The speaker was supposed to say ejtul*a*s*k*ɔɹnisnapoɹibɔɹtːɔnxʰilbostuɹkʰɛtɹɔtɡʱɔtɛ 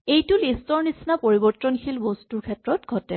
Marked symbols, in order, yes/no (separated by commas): no, no